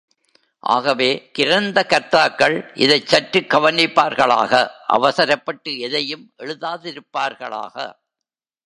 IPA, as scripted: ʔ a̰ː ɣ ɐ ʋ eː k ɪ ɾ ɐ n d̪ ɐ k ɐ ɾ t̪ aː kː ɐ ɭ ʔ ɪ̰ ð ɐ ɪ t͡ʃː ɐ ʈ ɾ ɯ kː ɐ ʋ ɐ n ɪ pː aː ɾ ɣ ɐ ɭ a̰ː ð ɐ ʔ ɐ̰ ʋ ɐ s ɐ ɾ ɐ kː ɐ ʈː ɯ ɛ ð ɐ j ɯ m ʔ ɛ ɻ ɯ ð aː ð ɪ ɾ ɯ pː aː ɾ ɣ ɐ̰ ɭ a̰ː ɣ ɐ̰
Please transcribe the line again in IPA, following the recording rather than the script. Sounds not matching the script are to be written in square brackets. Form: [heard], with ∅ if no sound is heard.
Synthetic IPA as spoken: ʔ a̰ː ɣ ɐ ʋ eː k ɪ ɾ ɐ n d̪ ɐ k ɐ ɾ t̪ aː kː ɐ ɭ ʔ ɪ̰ ð ɐ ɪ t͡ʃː ɐ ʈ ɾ ɯ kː ɐ ʋ ɐ n ɪ pː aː ɾ ɣ ɐ ɭ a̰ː [ɣ] ɐ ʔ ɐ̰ ʋ ɐ s ɐ ɾ ɐ [pː] ɐ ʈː ɯ ɛ ð ɐ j ɯ m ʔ ɛ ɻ ɯ ð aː ð ɪ ɾ ɯ pː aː ɾ ɣ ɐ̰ ɭ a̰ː ɣ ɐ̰